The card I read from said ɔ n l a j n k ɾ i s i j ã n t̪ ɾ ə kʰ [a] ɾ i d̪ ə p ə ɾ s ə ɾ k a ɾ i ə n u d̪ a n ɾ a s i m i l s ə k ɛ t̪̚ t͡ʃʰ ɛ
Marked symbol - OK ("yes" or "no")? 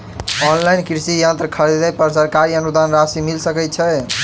no